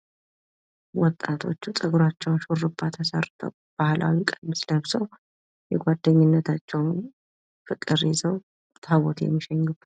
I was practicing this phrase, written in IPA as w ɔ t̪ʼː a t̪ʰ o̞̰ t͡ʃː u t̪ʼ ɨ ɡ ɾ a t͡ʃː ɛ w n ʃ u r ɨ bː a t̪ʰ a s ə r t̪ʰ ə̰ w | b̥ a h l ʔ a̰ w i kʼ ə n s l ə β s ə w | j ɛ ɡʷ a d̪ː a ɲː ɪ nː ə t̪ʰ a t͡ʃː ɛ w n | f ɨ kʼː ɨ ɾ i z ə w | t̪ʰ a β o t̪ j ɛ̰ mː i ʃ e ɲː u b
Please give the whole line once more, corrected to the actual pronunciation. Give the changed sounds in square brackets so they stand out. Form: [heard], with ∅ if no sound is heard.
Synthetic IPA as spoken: w ɔ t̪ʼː a t̪ʰ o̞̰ t͡ʃː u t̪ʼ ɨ ɡ ɾ a t͡ʃː ɛ w n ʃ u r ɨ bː a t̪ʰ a s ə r t̪ʰ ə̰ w | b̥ a h l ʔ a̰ w i kʼ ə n s l ə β s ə w | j ɛ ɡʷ a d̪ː [ə] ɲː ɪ nː ə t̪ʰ a t͡ʃː ɛ w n | f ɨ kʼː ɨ ɾ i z ə w | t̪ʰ a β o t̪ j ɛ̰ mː i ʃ [ɛ] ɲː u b